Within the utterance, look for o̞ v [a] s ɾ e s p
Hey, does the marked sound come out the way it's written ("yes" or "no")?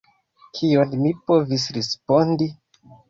no